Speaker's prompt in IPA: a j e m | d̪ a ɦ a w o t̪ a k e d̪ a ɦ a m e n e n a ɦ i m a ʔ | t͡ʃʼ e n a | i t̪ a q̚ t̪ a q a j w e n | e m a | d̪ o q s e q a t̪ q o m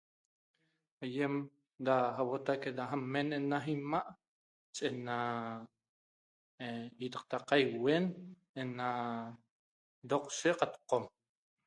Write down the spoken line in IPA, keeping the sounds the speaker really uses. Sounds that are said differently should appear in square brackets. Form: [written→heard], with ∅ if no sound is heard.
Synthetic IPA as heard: a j e m | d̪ a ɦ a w o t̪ a k e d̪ a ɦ a m e n e n a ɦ i m a ʔ | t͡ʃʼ e n a | i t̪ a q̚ t̪ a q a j w e n | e [m→n] a | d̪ o q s e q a t̪ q o m